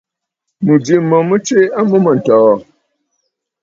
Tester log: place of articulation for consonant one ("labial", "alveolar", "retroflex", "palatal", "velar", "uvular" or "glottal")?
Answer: labial